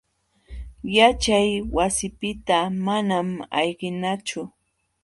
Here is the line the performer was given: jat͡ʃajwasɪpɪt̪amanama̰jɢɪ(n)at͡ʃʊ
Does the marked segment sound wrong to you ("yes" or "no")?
no